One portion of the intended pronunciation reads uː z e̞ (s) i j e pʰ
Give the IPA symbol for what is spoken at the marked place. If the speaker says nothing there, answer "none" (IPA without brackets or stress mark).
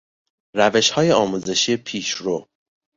ʃ